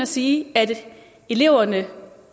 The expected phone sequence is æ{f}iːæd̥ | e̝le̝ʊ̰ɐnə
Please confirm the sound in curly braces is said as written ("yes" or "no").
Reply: no